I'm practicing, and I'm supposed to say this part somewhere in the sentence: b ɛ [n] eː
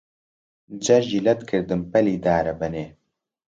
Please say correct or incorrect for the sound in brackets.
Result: correct